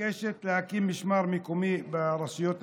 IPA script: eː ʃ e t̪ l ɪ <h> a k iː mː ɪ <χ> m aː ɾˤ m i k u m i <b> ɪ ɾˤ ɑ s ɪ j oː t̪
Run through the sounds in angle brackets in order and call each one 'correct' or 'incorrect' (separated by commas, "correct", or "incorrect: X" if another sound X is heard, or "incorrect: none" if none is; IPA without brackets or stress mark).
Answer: correct, incorrect: ʃ, correct